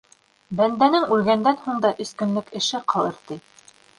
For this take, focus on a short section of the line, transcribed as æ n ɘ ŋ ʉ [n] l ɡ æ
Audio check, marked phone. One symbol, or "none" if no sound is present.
none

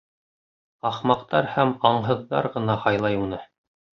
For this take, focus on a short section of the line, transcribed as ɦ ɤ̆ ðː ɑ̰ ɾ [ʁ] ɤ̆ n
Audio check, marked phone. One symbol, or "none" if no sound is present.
ʁ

